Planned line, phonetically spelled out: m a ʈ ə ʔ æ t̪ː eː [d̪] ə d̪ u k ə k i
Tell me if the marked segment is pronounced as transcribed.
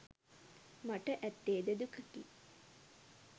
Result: yes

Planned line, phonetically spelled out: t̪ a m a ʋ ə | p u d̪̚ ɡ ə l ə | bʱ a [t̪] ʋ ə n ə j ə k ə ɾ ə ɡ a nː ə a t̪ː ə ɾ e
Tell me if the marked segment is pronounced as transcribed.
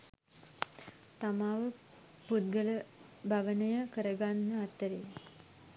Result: no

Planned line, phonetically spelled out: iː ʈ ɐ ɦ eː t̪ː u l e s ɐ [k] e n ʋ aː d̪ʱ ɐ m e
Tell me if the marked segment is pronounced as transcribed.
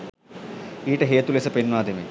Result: no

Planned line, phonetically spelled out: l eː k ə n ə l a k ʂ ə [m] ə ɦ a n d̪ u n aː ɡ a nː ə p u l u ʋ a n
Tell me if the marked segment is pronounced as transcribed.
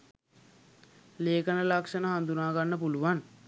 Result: no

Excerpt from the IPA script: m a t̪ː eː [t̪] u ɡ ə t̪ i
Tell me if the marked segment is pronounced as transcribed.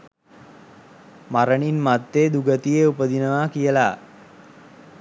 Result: no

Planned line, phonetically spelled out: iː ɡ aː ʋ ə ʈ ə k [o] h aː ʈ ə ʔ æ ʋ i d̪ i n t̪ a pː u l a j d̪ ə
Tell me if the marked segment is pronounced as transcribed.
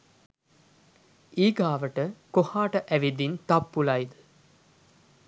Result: yes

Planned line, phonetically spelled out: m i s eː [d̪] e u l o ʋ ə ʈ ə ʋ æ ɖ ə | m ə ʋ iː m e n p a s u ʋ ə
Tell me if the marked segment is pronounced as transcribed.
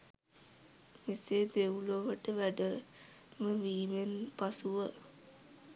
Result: yes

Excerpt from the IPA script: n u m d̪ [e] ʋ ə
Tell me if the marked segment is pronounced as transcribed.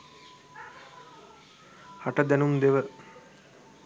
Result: yes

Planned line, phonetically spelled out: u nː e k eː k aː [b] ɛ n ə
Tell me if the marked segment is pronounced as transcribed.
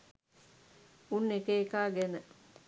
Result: no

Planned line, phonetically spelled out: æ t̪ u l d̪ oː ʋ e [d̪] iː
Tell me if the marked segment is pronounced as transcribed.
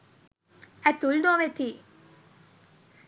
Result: no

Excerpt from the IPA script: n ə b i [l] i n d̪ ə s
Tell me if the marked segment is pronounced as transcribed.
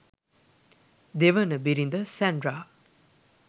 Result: no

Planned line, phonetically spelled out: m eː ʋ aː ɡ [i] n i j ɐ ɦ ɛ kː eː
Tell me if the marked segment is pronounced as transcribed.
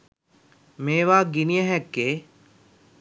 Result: yes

